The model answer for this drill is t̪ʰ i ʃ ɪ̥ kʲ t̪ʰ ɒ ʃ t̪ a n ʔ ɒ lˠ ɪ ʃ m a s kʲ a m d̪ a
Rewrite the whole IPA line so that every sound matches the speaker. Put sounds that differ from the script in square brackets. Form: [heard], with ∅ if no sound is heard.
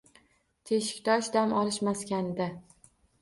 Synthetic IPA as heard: t̪ʰ [e] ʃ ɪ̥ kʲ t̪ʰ ɒ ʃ [d̪] a [m] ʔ ɒ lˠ ɪ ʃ m a s kʲ a [n] d̪ a